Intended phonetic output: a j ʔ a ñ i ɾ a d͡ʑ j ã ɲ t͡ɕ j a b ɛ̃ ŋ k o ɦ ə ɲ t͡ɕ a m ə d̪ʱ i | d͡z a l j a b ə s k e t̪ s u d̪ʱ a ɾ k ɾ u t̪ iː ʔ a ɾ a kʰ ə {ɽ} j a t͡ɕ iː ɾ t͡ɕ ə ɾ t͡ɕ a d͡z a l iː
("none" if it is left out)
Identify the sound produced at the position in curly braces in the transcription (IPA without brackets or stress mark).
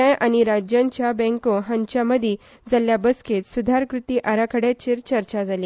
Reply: ɽ